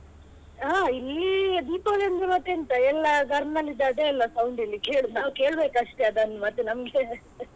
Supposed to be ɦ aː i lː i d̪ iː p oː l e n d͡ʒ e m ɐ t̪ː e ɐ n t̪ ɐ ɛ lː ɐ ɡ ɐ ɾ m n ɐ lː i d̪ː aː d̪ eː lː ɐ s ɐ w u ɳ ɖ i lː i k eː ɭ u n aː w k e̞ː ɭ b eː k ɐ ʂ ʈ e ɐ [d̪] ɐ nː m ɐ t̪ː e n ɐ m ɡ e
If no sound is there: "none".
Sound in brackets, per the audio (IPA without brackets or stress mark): d̪